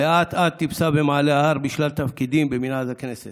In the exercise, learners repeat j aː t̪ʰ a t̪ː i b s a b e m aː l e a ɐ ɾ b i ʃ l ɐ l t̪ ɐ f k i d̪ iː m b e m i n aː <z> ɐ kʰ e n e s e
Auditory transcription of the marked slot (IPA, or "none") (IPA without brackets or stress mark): z